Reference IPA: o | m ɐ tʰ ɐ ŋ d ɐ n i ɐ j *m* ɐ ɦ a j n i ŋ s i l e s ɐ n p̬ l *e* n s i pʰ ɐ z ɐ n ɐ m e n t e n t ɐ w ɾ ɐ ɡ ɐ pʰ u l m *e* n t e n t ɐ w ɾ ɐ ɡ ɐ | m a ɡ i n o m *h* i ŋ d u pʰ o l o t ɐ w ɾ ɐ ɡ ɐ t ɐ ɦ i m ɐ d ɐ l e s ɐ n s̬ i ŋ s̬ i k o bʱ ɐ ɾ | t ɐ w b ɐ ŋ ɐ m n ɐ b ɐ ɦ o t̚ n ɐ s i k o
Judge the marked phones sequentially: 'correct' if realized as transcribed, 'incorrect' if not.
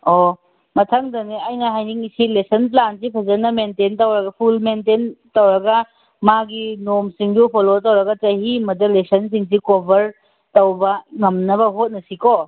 incorrect: n, incorrect: a, correct, incorrect: s

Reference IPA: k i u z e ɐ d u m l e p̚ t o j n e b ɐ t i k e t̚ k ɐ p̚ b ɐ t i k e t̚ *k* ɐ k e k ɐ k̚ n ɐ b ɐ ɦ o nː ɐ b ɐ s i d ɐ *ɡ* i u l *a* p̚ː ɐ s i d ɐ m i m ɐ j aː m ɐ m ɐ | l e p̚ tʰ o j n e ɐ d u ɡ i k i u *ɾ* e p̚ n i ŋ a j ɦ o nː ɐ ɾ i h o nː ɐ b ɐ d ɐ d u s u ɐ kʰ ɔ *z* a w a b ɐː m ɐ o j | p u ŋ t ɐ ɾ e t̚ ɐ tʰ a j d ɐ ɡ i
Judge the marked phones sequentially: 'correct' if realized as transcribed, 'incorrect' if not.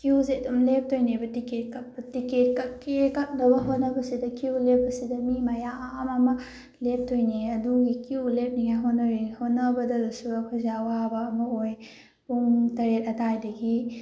correct, incorrect: k, incorrect: e, incorrect: l, correct

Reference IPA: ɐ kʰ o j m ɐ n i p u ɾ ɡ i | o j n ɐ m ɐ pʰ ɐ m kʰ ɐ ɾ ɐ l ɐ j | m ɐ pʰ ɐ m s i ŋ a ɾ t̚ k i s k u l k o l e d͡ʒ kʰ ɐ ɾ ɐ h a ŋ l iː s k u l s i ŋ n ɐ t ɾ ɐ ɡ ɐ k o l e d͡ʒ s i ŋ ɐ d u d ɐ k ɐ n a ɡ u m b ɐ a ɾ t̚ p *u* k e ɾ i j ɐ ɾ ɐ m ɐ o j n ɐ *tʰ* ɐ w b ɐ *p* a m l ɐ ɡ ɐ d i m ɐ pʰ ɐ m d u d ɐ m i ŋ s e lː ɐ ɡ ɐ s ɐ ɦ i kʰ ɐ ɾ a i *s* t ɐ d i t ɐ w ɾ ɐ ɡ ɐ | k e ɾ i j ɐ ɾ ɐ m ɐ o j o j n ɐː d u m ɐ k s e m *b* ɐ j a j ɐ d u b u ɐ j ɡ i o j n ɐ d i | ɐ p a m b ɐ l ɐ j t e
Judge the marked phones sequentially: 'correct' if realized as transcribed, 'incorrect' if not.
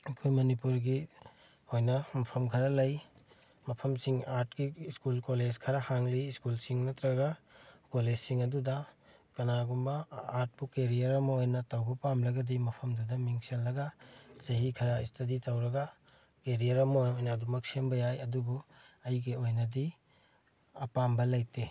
correct, incorrect: t, correct, correct, correct

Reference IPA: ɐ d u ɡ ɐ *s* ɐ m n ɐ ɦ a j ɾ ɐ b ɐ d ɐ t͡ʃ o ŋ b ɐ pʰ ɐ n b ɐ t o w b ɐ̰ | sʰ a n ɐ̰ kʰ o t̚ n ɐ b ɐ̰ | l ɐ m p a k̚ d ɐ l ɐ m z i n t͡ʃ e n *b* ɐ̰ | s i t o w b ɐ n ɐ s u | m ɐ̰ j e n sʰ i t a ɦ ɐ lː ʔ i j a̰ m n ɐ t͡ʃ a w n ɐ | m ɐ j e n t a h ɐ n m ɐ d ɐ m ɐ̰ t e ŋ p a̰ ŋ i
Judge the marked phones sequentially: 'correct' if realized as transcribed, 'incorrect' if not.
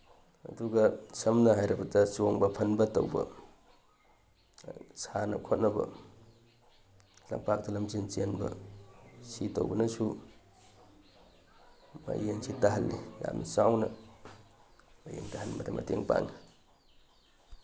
correct, correct

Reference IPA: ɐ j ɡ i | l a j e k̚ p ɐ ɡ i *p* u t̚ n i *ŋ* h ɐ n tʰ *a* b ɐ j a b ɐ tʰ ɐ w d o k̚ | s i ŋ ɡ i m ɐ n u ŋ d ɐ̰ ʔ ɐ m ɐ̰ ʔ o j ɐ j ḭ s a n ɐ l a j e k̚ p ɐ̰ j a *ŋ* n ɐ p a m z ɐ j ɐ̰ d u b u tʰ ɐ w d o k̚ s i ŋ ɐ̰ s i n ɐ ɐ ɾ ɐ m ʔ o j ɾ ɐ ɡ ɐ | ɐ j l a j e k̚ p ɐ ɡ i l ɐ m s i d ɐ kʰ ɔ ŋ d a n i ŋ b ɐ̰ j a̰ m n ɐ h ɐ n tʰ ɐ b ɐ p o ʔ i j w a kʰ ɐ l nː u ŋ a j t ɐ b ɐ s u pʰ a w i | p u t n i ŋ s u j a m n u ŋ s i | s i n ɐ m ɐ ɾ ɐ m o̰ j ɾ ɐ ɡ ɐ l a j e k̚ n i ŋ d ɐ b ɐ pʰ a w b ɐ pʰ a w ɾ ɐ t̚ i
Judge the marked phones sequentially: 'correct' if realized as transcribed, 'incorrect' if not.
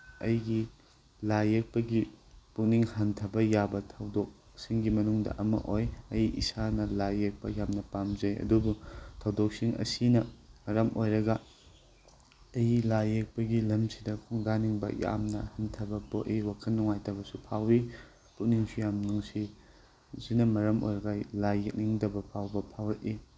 correct, correct, incorrect: ɐ, incorrect: m

